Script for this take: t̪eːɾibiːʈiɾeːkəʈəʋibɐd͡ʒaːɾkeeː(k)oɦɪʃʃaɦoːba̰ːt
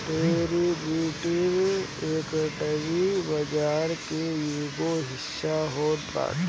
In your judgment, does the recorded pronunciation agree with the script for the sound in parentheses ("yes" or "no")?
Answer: no